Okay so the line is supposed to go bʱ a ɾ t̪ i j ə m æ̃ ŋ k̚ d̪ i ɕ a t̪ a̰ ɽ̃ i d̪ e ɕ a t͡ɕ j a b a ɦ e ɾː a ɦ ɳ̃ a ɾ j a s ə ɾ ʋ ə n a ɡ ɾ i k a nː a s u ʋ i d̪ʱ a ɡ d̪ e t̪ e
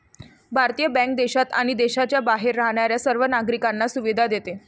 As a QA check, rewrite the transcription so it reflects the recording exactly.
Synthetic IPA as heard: bʱ a ɾ t̪ i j ə b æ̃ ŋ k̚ d̪ e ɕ a t̪ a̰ ɽ̃ i d̪ e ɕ a t͡ɕ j a b a ɦ e ɾː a ɦ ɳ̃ a ɾ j a s ə ɾ ʋ ə n a ɡ ɾ i k a nː a s u ʋ i d̪ʱ a d̪ e t̪ e